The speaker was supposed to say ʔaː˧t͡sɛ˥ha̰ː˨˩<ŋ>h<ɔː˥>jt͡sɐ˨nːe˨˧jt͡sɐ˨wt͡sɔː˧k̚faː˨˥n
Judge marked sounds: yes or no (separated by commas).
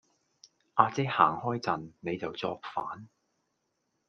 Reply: yes, yes